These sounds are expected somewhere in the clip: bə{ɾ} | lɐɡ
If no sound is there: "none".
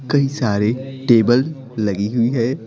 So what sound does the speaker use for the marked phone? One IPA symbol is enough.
l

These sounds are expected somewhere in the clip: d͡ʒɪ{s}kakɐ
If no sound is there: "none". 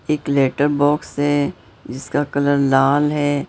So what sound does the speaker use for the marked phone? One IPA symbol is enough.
s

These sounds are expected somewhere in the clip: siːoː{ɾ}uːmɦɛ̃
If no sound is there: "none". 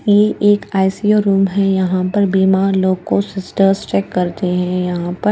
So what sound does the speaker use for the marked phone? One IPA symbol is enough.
ɾ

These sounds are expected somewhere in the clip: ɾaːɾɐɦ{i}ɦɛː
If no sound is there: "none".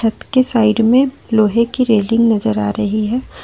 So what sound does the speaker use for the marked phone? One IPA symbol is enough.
i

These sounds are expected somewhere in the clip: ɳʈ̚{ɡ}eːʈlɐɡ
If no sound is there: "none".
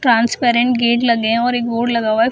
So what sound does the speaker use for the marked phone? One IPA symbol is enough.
ɡ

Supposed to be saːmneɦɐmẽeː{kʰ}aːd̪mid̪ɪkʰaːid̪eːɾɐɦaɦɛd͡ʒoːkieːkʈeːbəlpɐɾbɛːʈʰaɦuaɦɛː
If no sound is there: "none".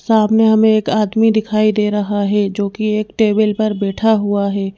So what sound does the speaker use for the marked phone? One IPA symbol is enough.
k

